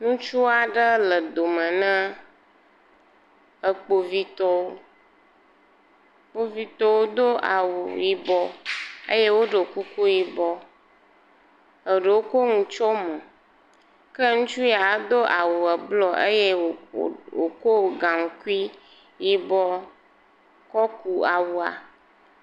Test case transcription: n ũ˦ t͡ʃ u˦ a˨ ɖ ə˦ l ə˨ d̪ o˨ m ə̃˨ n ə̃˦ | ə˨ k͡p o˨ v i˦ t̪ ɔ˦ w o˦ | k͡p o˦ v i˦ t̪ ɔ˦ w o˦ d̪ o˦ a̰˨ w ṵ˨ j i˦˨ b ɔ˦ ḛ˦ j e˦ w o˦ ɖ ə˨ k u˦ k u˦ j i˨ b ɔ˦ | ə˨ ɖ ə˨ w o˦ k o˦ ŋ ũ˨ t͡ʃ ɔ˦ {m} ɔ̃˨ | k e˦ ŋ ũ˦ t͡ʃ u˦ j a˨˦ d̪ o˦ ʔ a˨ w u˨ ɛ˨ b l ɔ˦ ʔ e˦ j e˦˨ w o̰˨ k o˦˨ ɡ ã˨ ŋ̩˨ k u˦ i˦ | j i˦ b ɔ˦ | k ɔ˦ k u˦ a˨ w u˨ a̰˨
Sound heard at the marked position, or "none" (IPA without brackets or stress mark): m